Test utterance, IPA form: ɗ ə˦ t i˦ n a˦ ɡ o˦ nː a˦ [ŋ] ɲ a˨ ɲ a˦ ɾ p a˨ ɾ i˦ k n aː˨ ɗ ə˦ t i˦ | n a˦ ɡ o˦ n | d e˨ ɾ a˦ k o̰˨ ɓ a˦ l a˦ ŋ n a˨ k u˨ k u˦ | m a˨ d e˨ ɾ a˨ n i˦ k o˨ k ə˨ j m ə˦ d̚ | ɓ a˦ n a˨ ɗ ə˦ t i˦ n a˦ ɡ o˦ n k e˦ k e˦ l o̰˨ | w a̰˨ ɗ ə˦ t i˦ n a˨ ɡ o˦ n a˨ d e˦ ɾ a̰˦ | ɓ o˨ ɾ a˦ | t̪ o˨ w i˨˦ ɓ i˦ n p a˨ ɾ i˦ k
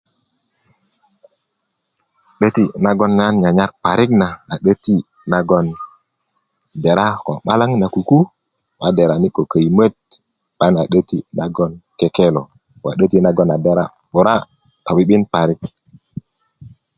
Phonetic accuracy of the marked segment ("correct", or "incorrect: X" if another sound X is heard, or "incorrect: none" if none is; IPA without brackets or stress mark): incorrect: n